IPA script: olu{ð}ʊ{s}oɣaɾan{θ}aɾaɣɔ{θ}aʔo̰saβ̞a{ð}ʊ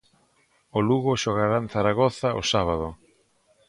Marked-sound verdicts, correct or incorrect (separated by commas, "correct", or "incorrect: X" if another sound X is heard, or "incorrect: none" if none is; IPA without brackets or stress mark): incorrect: ɣ, incorrect: ʃ, correct, correct, correct